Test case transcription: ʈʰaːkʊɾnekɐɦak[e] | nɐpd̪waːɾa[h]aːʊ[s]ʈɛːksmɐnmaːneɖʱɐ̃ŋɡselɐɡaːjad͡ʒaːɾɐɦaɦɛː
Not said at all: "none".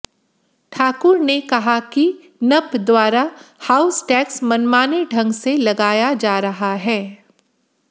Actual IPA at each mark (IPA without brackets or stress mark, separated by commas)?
i, h, s